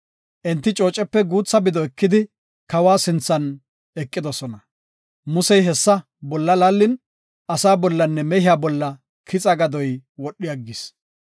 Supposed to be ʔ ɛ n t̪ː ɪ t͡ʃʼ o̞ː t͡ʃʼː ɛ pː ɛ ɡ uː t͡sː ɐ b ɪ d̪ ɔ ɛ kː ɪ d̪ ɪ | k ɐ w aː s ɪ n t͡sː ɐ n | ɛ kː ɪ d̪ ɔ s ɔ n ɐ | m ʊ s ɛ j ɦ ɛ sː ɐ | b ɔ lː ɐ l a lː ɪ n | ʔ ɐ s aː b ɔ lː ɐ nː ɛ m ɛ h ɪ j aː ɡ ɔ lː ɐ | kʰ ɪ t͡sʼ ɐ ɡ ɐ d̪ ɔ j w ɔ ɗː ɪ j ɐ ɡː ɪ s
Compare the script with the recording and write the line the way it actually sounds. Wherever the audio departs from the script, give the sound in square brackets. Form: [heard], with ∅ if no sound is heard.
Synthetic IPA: ʔ ɛ n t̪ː ɪ t͡ʃʼ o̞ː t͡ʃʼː ɛ pː ɛ ɡ uː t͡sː ɐ b ɪ d̪ ɔ ɛ kː ɪ d̪ ɪ | k ɐ w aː s ɪ n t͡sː ɐ n | ɛ [kʼː] ɪ d̪ ɔ s ɔ n ɐ | m ʊ s ɛ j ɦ ɛ sː ɐ | b ɔ lː ɐ l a lː ɪ n | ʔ ɐ s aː b ɔ lː ɐ nː ɛ m ɛ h ɪ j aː [b] ɔ lː ɐ | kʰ ɪ t͡sʼ ɐ ɡ ɐ d̪ ɔ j w ɔ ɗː ɪ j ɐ ɡː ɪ s